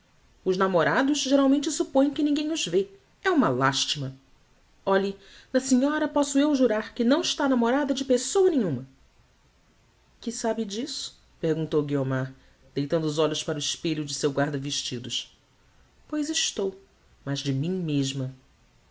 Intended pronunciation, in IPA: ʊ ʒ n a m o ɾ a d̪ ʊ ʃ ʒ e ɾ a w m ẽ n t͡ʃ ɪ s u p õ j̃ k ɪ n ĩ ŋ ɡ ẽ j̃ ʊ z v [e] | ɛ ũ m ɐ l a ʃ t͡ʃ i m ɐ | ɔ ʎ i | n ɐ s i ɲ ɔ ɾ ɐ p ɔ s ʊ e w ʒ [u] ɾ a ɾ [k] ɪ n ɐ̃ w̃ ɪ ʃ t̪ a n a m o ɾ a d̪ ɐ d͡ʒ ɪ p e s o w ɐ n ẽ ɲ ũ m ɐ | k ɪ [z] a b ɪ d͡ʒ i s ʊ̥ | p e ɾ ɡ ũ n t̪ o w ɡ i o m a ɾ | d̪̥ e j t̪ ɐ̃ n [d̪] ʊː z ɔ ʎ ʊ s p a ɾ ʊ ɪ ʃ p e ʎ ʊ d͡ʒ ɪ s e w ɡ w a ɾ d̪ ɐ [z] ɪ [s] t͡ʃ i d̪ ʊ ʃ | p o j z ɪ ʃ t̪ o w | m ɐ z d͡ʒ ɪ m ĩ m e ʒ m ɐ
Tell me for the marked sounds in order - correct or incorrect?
correct, correct, correct, incorrect, correct, incorrect, incorrect

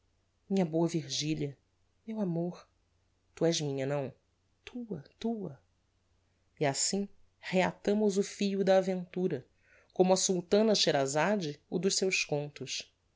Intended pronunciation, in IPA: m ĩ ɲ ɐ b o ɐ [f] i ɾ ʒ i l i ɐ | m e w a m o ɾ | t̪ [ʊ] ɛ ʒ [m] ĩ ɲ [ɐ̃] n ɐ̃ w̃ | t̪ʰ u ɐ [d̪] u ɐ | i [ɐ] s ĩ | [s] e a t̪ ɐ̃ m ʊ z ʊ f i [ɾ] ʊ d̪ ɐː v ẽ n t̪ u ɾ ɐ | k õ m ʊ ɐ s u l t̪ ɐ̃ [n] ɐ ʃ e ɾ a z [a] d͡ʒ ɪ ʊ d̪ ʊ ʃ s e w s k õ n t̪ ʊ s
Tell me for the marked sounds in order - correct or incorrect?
incorrect, incorrect, correct, incorrect, incorrect, incorrect, incorrect, incorrect, correct, correct

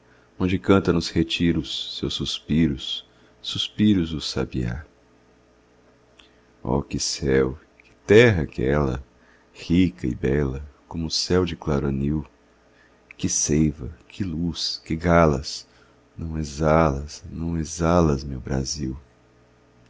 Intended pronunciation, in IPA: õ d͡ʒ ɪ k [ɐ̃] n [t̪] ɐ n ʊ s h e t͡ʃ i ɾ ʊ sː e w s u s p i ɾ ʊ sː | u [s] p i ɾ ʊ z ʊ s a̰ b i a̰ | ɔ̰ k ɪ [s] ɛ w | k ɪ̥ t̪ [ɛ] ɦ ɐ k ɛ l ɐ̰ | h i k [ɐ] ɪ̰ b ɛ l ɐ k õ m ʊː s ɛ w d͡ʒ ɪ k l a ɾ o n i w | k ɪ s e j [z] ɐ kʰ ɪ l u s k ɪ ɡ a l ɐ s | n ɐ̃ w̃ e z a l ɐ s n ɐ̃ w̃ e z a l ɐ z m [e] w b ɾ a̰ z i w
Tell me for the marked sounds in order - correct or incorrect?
correct, correct, correct, correct, correct, correct, incorrect, correct

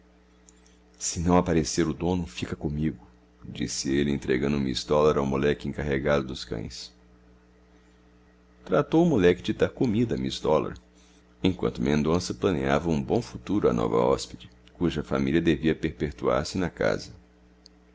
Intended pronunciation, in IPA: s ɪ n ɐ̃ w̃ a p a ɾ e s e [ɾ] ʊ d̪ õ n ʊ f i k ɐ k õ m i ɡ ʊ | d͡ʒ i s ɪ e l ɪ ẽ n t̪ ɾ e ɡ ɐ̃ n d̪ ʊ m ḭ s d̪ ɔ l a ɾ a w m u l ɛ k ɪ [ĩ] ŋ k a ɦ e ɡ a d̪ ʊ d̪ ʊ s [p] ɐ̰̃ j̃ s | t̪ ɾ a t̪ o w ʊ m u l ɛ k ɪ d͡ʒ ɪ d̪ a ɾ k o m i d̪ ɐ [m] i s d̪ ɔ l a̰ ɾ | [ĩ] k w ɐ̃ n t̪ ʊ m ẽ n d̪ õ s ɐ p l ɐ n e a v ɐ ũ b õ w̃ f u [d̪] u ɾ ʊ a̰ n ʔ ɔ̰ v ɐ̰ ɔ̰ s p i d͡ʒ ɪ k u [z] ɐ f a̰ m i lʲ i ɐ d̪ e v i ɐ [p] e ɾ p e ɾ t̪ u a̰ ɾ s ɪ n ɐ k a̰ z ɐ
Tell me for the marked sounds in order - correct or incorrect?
correct, incorrect, incorrect, correct, incorrect, incorrect, incorrect, correct

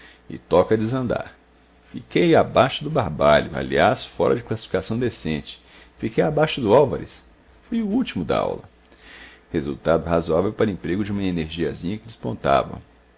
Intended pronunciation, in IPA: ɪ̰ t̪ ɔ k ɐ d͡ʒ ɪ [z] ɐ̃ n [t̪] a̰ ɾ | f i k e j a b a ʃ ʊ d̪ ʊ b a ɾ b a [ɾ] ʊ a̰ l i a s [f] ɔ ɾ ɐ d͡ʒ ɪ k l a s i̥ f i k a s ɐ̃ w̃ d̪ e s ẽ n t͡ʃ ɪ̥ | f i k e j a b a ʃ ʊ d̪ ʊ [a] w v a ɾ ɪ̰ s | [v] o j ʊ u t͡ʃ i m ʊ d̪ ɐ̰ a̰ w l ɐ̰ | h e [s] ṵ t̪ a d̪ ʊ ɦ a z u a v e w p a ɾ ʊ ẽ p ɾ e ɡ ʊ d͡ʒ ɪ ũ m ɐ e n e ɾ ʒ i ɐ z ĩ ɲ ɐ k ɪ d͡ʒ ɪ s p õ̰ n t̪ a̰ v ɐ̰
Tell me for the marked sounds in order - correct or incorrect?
correct, incorrect, incorrect, correct, correct, incorrect, incorrect

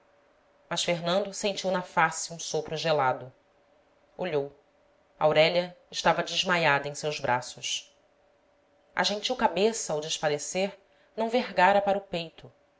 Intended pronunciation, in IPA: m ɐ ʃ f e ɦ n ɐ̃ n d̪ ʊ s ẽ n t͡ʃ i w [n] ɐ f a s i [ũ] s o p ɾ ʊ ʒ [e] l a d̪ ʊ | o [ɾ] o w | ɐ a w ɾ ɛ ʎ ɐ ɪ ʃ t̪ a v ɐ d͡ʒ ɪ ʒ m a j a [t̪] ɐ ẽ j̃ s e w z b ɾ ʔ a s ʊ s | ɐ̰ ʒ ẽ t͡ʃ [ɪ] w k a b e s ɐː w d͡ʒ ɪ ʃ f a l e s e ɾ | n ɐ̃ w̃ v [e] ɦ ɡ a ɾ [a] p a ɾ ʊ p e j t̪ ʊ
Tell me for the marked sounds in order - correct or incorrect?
correct, correct, correct, incorrect, incorrect, incorrect, correct, incorrect

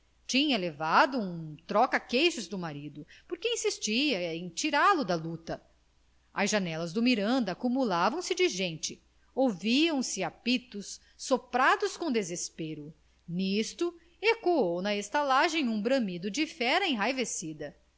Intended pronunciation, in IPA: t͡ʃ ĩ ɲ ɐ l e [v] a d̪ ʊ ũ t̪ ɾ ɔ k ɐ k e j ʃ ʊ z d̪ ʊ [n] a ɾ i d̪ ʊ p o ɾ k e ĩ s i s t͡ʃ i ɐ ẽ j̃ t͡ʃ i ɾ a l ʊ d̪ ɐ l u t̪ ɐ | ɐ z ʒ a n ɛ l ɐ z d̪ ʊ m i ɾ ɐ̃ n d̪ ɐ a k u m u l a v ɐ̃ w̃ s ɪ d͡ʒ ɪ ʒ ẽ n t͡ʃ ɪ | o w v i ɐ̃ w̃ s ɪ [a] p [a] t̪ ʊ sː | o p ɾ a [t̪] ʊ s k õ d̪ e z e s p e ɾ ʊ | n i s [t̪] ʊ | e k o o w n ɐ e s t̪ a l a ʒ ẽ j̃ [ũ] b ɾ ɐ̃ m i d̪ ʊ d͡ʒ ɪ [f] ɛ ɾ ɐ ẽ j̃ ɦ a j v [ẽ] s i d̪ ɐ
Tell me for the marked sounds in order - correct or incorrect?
correct, incorrect, correct, incorrect, incorrect, correct, correct, correct, incorrect

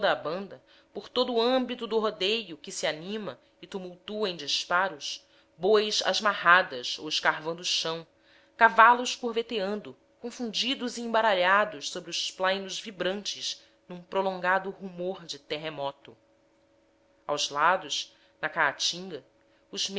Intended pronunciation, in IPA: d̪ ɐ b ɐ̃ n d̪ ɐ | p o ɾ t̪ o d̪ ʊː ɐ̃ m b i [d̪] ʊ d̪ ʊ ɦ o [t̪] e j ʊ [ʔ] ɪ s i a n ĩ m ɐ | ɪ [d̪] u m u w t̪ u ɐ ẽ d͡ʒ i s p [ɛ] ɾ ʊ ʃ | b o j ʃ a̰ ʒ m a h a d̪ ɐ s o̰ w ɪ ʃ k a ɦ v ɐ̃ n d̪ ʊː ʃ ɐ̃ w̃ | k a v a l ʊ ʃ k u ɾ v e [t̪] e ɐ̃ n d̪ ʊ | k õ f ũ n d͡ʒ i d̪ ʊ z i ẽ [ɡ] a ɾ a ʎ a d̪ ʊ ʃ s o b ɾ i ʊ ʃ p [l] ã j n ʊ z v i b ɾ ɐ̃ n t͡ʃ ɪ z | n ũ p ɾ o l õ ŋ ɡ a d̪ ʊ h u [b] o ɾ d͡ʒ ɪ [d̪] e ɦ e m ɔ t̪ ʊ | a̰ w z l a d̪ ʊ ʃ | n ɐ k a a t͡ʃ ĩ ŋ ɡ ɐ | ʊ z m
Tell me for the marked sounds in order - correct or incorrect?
incorrect, incorrect, incorrect, incorrect, incorrect, correct, incorrect, correct, incorrect, incorrect

